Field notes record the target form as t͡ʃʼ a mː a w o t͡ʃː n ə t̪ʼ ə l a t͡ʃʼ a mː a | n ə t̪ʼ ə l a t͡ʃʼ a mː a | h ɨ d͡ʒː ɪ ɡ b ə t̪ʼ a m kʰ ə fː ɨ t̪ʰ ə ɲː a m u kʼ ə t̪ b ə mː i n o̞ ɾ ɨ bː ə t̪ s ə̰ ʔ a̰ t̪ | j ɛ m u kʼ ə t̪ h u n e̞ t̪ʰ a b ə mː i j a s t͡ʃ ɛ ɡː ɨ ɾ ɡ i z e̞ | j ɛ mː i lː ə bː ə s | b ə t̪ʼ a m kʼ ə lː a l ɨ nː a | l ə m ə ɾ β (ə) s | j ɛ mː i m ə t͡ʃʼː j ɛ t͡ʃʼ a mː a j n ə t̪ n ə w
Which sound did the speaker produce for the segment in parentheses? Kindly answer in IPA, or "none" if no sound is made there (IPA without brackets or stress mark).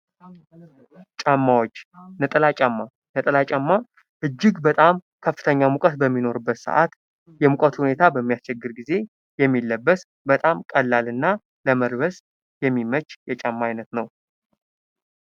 ə